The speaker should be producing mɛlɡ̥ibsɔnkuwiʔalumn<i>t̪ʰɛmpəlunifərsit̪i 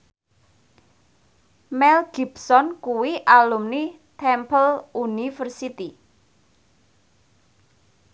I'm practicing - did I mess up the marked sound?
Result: no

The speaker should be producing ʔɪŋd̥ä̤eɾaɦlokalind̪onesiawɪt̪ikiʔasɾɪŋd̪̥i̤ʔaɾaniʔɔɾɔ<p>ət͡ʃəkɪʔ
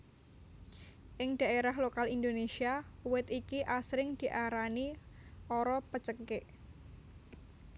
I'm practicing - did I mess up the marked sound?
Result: no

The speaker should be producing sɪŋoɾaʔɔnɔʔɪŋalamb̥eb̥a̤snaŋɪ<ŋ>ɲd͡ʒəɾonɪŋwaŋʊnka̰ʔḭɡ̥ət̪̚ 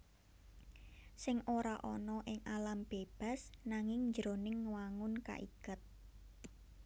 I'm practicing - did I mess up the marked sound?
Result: no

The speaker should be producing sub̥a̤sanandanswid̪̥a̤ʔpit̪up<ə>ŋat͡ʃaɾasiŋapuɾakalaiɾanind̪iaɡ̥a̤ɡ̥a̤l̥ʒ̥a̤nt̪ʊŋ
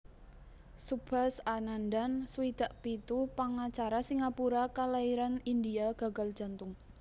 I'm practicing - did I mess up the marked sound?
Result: yes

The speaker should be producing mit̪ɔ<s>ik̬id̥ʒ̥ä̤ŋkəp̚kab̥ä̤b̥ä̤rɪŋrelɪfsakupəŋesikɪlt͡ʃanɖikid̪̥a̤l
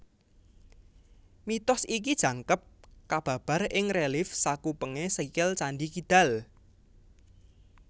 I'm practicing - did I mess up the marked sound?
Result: no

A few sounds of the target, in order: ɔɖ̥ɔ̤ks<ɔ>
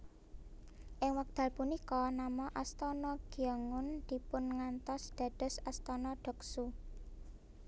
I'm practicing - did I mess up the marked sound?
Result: yes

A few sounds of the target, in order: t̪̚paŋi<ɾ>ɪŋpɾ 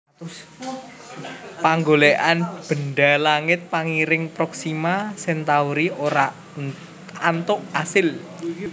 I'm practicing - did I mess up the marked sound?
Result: no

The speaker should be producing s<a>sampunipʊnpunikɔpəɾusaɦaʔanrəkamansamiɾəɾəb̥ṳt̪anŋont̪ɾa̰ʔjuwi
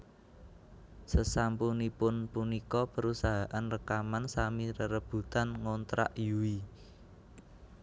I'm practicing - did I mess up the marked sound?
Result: yes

